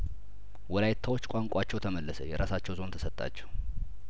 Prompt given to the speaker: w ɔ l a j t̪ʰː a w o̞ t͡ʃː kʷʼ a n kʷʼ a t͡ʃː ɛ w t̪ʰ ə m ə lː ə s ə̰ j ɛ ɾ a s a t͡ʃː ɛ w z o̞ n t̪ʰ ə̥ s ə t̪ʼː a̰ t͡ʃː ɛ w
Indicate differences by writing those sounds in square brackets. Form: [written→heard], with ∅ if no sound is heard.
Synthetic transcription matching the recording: w ɔ l a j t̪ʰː a w o̞ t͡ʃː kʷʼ a [n→ŋ] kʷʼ a t͡ʃː ɛ w t̪ʰ ə m ə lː ə s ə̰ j ɛ ɾ a s a t͡ʃː ɛ w z o̞ n t̪ʰ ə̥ s ə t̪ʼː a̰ t͡ʃː ɛ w